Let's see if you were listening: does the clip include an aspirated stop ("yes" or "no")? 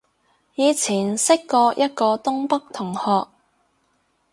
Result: yes